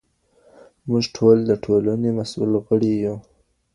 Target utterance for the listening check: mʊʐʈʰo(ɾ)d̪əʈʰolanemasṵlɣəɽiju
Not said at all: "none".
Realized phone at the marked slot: l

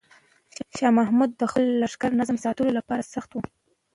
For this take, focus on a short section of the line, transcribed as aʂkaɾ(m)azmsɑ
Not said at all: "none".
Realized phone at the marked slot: n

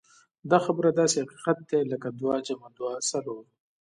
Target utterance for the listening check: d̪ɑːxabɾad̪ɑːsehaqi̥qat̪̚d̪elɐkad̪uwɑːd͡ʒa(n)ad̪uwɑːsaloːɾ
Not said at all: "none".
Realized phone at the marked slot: m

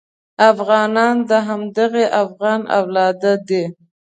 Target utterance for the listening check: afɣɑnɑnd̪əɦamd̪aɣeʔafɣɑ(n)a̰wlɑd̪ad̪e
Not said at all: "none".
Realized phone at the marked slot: n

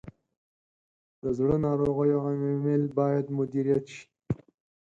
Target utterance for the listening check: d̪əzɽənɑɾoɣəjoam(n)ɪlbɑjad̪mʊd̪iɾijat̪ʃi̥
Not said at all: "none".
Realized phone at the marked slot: m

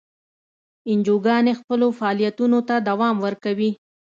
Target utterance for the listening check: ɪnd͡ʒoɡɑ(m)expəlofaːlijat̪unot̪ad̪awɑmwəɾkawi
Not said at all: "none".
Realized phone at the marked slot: n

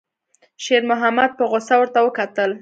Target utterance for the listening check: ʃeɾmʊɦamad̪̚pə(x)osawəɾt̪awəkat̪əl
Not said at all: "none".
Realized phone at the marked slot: ɣ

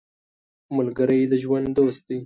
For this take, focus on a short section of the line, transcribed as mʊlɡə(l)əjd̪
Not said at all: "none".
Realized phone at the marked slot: ɾ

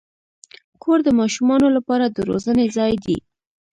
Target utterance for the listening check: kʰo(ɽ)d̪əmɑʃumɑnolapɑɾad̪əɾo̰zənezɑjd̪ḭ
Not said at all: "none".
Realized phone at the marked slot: ɾ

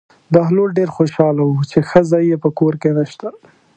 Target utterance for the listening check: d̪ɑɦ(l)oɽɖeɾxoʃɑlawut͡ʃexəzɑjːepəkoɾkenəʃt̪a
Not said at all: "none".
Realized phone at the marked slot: l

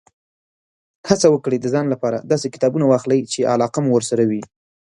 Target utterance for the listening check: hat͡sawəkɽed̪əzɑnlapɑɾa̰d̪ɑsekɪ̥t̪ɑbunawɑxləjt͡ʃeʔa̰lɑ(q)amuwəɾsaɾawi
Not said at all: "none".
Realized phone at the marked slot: q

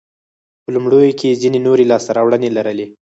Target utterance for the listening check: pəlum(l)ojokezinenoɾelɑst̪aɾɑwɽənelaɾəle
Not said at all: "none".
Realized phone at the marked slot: ɽ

